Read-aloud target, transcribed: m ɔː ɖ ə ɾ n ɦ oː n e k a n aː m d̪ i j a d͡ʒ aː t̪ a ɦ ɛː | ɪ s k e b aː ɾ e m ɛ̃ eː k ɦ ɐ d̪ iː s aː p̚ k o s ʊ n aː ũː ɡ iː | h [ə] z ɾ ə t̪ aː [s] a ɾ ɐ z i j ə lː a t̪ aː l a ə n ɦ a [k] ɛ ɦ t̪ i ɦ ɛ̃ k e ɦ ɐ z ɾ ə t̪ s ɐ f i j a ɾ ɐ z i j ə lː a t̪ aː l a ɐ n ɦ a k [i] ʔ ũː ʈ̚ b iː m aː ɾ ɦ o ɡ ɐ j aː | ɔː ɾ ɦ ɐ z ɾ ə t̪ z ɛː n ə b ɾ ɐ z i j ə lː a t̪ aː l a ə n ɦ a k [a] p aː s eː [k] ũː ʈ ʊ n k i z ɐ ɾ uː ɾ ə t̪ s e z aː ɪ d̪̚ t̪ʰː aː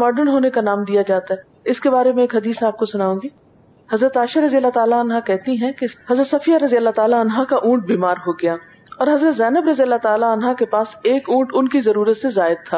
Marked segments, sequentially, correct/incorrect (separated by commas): incorrect, incorrect, correct, incorrect, incorrect, correct